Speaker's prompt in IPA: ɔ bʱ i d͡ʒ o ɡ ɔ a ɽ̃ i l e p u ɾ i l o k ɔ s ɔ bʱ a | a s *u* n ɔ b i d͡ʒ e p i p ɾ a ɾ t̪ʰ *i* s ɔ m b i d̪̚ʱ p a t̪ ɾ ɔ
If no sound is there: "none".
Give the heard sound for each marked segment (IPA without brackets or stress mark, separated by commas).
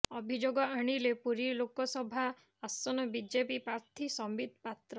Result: ɔ, i